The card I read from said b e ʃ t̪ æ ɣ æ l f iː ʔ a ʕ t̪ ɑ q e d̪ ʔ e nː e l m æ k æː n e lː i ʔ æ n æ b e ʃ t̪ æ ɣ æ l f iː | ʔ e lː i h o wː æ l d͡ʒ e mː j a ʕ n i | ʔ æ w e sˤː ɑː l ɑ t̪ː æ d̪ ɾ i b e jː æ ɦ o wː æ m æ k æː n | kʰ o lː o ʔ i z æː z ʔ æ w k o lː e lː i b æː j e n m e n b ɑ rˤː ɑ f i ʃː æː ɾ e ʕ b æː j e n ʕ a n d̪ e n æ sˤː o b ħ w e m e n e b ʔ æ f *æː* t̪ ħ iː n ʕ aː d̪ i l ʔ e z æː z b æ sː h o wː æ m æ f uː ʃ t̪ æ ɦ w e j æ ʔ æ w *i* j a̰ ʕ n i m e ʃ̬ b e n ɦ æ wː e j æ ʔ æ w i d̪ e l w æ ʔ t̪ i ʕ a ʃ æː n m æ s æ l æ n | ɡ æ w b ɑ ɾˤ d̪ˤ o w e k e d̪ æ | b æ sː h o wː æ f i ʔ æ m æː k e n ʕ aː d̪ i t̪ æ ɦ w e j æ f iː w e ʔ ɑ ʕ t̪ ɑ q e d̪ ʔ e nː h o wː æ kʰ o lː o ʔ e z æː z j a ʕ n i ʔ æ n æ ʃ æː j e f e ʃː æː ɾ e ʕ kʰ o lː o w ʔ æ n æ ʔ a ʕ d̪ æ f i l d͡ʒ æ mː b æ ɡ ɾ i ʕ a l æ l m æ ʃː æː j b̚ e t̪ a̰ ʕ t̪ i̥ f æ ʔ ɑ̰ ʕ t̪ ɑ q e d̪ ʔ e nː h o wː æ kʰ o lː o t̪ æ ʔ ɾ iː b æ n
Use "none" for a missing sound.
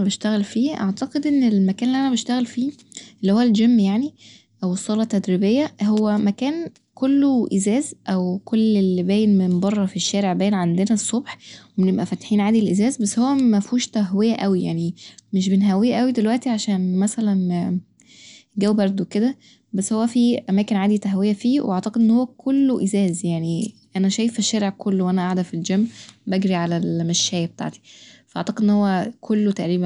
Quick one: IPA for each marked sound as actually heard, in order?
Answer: æ, i

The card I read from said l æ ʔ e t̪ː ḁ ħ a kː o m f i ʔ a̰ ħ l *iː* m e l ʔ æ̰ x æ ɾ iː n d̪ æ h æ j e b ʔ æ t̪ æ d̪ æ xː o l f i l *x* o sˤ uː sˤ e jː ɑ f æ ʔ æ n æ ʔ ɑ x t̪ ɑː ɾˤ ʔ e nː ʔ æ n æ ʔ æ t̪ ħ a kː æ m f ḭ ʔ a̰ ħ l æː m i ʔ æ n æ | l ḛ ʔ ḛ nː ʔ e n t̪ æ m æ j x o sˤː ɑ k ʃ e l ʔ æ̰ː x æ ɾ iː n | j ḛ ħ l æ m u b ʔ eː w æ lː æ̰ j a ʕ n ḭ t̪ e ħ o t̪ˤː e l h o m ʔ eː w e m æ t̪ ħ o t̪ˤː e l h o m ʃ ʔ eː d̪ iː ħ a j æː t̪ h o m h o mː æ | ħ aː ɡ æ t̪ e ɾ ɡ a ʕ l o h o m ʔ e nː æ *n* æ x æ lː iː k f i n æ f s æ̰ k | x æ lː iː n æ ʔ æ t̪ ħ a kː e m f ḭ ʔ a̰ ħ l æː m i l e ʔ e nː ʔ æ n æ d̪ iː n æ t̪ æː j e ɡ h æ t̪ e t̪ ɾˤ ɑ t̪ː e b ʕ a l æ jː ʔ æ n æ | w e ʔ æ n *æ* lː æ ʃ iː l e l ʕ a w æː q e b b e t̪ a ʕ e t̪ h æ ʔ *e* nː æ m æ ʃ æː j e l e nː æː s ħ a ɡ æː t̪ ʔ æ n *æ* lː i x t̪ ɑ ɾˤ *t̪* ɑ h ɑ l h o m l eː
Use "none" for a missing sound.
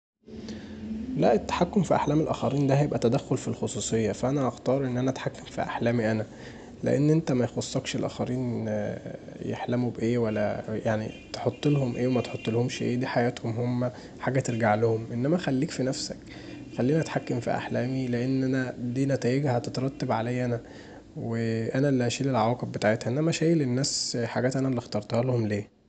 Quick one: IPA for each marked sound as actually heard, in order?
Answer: æː, x, m, æ, e, æ, t̪

